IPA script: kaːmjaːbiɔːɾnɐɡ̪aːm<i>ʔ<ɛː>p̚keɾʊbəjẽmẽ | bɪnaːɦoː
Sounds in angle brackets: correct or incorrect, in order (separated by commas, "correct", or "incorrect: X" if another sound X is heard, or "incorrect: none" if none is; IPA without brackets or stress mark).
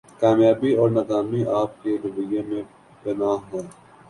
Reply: correct, incorrect: aː